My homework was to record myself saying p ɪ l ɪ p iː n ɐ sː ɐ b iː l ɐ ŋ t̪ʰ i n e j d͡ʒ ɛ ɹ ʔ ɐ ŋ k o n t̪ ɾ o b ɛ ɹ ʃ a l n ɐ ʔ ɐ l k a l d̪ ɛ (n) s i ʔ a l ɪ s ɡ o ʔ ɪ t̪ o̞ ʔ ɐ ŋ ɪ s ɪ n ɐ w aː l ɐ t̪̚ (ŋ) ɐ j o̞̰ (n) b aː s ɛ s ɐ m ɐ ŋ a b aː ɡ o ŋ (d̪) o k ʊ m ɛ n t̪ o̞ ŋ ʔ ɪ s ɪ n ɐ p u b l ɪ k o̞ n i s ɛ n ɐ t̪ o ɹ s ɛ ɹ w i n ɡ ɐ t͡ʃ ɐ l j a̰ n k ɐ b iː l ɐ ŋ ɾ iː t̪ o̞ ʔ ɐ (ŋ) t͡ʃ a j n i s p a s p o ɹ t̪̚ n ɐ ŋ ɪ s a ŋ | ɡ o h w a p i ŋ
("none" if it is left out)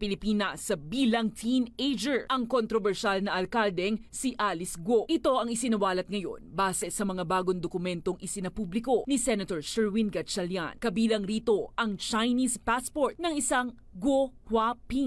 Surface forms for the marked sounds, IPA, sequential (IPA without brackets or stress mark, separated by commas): ŋ, ŋ, n, d̪, ŋ